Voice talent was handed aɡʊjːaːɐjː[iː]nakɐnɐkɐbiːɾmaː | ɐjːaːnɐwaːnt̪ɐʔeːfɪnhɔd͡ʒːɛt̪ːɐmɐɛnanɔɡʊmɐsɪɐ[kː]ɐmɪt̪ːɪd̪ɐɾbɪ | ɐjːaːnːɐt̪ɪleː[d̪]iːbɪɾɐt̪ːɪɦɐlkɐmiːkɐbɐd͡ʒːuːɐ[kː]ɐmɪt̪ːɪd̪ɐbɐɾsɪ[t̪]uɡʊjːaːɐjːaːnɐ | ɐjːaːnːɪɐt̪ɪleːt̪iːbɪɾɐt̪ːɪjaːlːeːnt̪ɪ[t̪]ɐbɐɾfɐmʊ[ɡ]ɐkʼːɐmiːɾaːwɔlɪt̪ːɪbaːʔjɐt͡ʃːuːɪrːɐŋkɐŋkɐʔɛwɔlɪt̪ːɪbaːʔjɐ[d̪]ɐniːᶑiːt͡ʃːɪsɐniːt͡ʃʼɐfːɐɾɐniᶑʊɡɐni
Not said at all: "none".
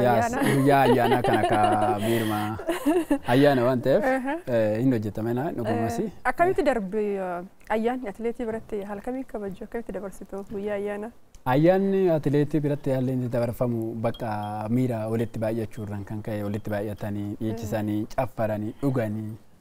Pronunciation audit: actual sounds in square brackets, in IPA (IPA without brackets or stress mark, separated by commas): aː, kː, t̪, kː, t̪, d̪, b, t̪